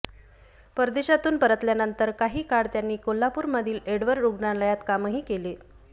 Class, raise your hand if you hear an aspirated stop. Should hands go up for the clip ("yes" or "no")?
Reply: no